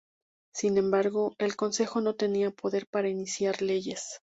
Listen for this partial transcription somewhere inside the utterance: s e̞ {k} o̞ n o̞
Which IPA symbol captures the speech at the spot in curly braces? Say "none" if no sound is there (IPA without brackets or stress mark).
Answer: x